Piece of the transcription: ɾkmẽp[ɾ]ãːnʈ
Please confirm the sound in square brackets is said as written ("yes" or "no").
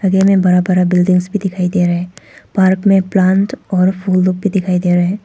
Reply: no